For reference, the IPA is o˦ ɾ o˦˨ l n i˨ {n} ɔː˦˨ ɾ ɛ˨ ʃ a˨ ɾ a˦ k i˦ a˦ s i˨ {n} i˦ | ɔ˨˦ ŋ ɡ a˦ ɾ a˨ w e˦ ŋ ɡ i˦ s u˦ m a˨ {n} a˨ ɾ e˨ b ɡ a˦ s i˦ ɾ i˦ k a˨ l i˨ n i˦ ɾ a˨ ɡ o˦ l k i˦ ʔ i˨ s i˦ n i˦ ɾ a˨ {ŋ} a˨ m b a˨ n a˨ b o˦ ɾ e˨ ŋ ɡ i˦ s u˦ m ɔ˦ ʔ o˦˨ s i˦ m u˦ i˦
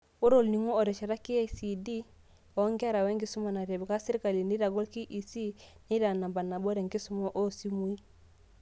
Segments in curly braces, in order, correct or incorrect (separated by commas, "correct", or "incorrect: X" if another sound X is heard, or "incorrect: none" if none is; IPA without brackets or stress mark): incorrect: ŋ, incorrect: d, correct, incorrect: n